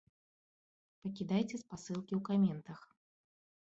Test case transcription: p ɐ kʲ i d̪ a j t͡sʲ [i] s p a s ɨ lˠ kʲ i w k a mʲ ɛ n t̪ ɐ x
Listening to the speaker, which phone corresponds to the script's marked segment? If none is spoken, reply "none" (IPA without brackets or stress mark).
ɛ